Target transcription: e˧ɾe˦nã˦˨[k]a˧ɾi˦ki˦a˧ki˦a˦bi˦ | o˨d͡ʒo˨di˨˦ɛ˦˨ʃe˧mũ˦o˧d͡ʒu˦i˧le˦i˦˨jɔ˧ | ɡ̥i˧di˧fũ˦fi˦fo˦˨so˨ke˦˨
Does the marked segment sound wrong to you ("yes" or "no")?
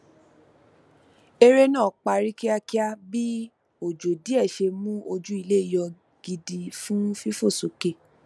yes